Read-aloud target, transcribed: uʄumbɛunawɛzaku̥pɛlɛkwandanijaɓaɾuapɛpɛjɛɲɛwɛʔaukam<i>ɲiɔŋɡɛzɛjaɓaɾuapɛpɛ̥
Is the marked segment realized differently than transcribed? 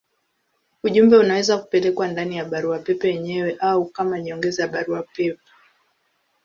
yes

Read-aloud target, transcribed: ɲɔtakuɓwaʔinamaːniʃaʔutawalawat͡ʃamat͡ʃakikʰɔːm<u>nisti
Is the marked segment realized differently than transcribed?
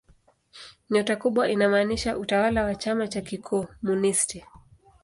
no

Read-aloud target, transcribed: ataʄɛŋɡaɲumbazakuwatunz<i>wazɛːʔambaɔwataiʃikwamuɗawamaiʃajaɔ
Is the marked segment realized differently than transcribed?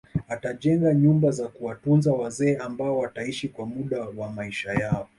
yes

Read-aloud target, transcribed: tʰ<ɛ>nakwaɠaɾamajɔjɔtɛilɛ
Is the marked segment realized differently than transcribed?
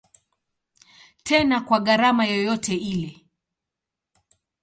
no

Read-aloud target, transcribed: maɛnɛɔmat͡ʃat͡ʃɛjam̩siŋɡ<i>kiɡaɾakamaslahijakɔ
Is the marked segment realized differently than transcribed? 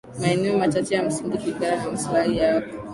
no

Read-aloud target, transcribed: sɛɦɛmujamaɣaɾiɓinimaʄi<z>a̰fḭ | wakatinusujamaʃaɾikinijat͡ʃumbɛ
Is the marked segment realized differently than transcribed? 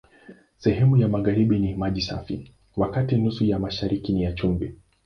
yes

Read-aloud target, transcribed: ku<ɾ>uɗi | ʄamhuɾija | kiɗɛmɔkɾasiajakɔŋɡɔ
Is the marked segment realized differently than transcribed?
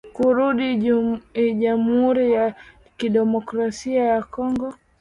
no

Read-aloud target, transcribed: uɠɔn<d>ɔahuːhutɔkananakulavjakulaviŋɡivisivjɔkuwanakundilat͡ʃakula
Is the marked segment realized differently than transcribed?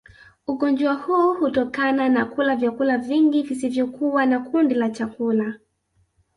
yes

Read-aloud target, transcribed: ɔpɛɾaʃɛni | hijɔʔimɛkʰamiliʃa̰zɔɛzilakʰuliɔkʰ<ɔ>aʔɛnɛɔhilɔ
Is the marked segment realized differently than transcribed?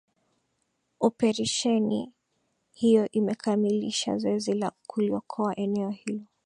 no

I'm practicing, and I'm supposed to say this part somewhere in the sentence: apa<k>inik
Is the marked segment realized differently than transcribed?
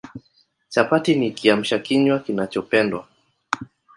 yes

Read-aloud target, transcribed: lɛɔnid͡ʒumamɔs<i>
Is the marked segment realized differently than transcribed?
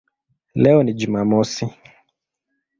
no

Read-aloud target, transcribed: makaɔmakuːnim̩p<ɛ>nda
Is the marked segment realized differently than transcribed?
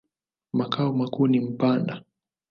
yes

